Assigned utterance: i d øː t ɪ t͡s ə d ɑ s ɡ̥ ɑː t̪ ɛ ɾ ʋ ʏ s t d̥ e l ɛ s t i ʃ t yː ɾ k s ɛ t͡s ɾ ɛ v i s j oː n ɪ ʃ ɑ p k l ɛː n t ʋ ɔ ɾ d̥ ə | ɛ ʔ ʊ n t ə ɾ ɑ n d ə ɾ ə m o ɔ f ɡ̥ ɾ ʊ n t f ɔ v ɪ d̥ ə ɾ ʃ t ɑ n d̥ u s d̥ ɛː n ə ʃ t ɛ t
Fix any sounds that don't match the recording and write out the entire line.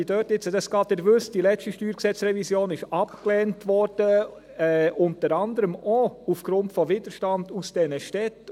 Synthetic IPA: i d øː t ɪ t͡s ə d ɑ s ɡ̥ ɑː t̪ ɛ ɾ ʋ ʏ s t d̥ i l ɛ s t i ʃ t yː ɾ k s ɛ t͡s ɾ ɛ v i s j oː n ɪ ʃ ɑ p k l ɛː n t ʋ ɔ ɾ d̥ ə | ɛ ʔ ʊ n t ə ɾ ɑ n d ə ɾ ə m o u f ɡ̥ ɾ ʊ n t f ɔ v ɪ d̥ ə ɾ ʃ t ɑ n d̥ u s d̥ ɛ n ə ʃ t ɛ t